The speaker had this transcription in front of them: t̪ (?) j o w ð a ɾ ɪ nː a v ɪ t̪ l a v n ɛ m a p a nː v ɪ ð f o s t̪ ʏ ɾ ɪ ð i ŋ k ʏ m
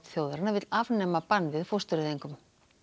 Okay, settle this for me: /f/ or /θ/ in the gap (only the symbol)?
θ